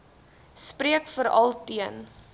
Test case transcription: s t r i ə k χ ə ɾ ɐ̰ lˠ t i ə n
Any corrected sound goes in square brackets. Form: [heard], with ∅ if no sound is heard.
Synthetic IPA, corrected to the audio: s [p] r i ə k [f] ə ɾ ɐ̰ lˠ t i ə n